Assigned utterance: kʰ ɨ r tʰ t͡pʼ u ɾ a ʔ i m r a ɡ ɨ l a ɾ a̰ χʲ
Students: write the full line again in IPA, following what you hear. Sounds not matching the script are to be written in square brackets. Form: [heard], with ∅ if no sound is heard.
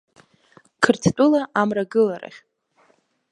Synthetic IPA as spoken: kʰ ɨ r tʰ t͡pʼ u [l] a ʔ [a] m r a ɡ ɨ l a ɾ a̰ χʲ